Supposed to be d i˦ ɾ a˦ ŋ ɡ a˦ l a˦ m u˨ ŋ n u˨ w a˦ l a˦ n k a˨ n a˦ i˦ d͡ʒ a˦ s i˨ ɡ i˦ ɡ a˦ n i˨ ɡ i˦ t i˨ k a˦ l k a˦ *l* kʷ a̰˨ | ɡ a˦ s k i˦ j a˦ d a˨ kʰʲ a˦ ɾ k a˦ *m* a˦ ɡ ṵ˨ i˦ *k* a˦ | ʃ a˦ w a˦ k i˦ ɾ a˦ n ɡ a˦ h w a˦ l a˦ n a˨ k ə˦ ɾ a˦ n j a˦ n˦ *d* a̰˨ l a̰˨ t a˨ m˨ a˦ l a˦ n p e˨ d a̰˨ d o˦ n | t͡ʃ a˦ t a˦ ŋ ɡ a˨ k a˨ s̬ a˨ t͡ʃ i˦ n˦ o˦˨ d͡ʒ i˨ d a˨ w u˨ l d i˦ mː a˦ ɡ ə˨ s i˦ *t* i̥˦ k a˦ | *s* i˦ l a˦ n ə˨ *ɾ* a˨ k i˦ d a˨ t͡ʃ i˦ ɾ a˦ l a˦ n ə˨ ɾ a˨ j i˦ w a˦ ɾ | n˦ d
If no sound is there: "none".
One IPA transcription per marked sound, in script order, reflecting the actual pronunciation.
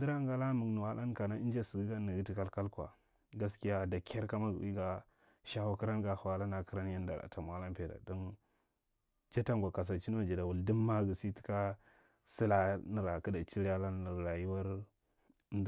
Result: l, m, ɡ, d, t, s, ɾ

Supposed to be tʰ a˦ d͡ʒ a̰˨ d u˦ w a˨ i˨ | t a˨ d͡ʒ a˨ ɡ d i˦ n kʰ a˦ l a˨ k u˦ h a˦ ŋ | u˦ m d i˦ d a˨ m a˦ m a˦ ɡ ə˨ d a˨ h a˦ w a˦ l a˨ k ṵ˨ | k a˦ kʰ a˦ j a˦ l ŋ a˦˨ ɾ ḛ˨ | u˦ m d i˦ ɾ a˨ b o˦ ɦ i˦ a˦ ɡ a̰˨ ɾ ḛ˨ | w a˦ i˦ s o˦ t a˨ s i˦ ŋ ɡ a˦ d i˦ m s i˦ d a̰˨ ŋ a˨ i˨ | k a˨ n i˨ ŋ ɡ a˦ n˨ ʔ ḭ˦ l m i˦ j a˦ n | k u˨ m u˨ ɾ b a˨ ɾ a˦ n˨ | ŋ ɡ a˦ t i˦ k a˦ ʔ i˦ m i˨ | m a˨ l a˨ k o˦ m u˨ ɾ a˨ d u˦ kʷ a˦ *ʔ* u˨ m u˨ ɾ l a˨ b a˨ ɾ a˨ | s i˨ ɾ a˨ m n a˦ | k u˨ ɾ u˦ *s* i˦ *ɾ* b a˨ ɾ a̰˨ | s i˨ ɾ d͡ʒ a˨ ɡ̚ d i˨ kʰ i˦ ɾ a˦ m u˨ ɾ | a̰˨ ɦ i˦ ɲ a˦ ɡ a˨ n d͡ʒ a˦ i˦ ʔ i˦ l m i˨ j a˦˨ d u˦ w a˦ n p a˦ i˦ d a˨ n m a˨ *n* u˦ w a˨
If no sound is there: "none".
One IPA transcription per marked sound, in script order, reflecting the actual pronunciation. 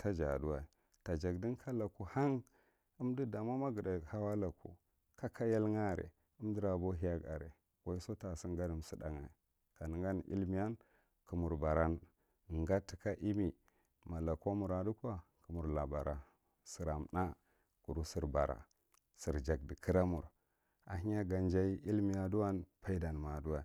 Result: k, s, ɾ, d

